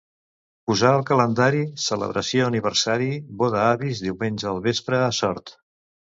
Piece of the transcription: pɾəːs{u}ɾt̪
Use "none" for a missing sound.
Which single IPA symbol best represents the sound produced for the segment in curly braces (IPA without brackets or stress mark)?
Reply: ɔ